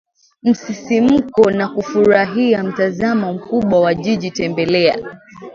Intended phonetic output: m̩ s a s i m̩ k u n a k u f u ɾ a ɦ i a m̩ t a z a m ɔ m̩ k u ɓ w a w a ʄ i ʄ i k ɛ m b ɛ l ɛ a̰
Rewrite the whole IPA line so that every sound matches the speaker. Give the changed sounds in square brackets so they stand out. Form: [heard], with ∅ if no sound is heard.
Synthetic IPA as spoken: m̩ s [i] s i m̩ k [ɔ] n a k u f u ɾ a ɦ i a m̩ t a z a m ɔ m̩ k u ɓ w a w a ʄ i ʄ i [t] ɛ m b ɛ l ɛ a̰

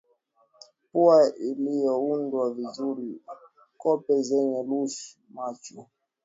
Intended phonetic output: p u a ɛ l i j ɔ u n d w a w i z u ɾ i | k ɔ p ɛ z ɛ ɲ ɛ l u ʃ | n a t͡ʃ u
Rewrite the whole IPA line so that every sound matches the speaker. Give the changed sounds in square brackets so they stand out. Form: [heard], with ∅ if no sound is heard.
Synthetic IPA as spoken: p u a [i] l i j ɔ u n d w a [v] i z u ɾ i | k ɔ p ɛ z ɛ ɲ ɛ l u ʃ | [m] a t͡ʃ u

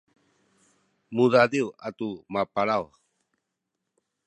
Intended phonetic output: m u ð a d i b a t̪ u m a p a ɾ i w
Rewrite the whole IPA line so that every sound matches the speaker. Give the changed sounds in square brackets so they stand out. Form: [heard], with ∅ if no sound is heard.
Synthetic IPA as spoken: m u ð a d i [w] a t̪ u m a p a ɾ [a] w

